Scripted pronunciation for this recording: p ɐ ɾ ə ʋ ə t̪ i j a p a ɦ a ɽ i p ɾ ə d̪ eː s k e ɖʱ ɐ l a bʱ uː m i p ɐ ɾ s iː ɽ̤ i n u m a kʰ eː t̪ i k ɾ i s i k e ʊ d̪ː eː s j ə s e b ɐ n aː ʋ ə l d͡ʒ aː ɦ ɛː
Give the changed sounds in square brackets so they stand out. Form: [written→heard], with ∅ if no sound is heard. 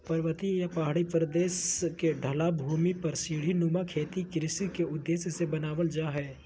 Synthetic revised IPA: p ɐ ɾ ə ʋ ə t̪ i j a p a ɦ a ɽ i p ɾ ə d̪ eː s k e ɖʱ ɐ l a bʱ uː m i p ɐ ɾ s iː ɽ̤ i n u m a kʰ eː t̪ i k ɾ [i→ɪ] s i k e ʊ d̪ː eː s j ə s e b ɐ n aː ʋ ə l d͡ʒ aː ɦ ɛː

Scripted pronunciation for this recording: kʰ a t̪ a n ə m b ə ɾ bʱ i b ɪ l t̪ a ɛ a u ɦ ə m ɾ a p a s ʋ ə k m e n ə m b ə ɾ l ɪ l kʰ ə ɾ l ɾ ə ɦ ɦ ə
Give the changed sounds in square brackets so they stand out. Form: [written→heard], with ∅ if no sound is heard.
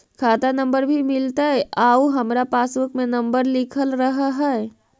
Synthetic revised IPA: kʰ a t̪ a n ə m b ə ɾ bʱ i [b→m] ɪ l t̪ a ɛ a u ɦ ə m ɾ a p a s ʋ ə k m e n ə m b ə ɾ l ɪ [l→∅] kʰ ə [ɾ→∅] l ɾ ə ɦ ɦ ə

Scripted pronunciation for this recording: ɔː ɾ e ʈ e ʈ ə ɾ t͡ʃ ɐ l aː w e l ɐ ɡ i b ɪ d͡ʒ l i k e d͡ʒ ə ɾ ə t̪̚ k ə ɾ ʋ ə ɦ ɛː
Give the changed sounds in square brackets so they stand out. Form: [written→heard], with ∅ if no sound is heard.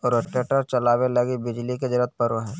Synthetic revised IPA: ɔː ɾ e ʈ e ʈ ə ɾ t͡ʃ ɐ l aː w e l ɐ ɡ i b ɪ d͡ʒ l i k e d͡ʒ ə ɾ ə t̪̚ [k→p] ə ɾ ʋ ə ɦ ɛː

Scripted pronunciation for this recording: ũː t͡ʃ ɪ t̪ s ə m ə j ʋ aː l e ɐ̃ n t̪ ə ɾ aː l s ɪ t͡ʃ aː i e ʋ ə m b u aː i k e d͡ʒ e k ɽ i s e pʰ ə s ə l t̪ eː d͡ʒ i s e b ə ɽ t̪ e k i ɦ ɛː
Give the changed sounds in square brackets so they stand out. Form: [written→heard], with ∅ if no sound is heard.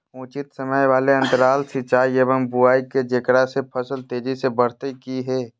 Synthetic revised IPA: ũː t͡ʃ ɪ t̪ s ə m ə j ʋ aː l e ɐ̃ n t̪ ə ɾ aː l s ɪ t͡ʃ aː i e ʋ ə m b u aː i k e d͡ʒ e k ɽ [i→a] s e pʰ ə s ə l t̪ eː d͡ʒ i s e b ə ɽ t̪ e k i ɦ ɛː

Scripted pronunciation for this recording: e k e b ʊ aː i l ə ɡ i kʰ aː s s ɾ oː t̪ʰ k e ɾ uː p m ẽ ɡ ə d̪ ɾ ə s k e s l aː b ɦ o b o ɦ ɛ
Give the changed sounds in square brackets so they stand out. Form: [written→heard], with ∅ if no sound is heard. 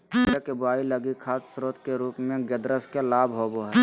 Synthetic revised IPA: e k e b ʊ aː i l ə ɡ i kʰ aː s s ɾ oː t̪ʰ k e ɾ uː p m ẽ ɡ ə d̪ ɾ ə s k e [s→∅] l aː b ɦ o b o ɦ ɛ

